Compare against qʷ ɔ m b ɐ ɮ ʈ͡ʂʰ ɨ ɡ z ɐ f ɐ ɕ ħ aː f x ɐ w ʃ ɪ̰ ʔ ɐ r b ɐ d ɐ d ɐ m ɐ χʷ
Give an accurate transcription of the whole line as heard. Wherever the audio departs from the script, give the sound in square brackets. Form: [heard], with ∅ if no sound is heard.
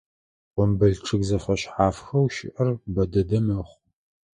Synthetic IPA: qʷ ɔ m b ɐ ɮ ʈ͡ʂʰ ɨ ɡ z ɐ f ɐ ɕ ħ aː f x ɐ w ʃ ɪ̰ ʔ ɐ r b ɐ d ɐ d ɐ m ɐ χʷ